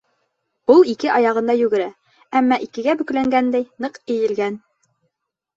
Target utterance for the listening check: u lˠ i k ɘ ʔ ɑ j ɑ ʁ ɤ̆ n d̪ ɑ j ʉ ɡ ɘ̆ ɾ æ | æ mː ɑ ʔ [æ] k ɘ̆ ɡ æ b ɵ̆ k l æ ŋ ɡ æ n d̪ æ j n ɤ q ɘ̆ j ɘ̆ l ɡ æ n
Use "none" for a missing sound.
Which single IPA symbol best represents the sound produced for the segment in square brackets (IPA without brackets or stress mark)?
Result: i